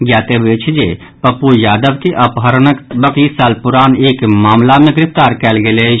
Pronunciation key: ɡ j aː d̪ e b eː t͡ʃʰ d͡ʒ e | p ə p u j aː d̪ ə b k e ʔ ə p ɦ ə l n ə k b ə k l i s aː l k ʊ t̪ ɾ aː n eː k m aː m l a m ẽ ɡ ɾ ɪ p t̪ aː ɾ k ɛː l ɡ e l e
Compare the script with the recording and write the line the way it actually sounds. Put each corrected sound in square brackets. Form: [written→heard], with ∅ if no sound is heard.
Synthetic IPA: ɡ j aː [d̪→t̪] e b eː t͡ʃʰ d͡ʒ e | p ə p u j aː d̪ ə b k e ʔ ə p ɦ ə [l→ɾ] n ə k b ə k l i s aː l [k→p] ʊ [t̪→∅] ɾ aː n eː k m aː m l a m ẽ ɡ ɾ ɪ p t̪ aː ɾ k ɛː l ɡ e l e